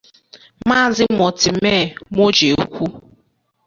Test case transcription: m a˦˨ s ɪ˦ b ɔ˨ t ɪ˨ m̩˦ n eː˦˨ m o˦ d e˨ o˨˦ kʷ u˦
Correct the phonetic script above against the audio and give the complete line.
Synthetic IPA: m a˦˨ z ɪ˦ m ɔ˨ t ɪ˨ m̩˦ m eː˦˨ m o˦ d͡ʒ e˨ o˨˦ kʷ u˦